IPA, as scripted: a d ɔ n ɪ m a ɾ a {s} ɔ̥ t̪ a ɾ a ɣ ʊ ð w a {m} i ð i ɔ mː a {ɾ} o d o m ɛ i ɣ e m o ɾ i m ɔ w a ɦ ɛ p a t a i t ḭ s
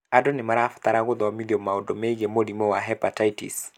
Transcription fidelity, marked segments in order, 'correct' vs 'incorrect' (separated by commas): incorrect, correct, incorrect